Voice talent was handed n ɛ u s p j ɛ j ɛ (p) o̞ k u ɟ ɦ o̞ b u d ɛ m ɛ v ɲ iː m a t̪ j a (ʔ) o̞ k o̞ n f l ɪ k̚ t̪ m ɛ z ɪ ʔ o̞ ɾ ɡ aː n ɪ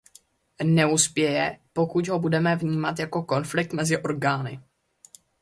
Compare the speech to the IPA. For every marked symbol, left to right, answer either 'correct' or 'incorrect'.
correct, incorrect

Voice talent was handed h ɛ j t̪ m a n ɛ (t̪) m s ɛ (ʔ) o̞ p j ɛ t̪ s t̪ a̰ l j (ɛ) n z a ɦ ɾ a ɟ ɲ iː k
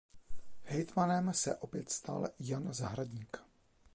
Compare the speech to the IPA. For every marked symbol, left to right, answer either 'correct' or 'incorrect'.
incorrect, correct, incorrect

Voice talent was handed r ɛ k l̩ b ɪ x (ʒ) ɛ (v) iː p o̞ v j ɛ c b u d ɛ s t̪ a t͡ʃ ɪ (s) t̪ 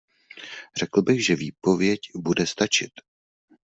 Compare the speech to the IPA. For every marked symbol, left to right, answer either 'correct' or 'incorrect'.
correct, correct, incorrect

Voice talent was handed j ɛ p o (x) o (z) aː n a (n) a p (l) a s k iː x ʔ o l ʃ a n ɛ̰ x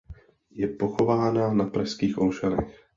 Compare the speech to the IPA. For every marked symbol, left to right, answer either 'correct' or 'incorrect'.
correct, incorrect, correct, incorrect

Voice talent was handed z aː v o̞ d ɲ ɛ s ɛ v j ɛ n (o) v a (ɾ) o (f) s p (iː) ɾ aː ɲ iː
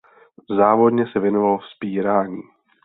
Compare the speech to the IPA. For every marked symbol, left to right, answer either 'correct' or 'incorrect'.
correct, incorrect, correct, correct

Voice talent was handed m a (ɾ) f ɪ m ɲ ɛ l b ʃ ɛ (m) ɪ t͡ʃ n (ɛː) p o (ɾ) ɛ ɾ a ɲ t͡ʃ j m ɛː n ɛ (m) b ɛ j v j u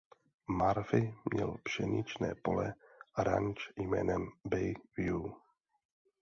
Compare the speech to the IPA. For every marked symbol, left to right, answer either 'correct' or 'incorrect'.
correct, incorrect, correct, incorrect, correct

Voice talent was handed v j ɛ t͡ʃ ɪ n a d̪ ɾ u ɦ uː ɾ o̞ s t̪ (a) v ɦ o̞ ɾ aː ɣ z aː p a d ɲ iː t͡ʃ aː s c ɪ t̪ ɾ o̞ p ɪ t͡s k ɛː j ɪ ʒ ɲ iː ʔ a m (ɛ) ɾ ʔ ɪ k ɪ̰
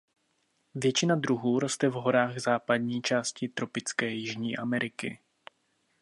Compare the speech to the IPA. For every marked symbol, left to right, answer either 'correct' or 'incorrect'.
incorrect, correct

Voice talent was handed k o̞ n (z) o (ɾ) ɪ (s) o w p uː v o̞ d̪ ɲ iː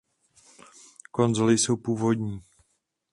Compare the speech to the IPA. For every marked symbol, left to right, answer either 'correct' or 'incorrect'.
correct, incorrect, correct

